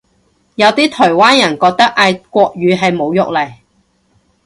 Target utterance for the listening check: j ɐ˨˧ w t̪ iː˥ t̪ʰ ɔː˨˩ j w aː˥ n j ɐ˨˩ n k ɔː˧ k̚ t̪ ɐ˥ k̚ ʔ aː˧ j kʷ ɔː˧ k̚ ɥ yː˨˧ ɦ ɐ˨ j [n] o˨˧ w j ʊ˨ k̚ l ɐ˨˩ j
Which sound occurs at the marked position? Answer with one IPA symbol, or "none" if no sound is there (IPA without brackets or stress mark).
m